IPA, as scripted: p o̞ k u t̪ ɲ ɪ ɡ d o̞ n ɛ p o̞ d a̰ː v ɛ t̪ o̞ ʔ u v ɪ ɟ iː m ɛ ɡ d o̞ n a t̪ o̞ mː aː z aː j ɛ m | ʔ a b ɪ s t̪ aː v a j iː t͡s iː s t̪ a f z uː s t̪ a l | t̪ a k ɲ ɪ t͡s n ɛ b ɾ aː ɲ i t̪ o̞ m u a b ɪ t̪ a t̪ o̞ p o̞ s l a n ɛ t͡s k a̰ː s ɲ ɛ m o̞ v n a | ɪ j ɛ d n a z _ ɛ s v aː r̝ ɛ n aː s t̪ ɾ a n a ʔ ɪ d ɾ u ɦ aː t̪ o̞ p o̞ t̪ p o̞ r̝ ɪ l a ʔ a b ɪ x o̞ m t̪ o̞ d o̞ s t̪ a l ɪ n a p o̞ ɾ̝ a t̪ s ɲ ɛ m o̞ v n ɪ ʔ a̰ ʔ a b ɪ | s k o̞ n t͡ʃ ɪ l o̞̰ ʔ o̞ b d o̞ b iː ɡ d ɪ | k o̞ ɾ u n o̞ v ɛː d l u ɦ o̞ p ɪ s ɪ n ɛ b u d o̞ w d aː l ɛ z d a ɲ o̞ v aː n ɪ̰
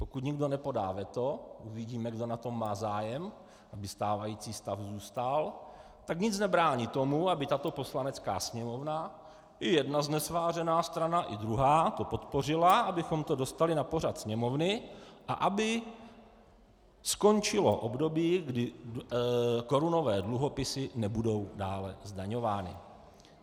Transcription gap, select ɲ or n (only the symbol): n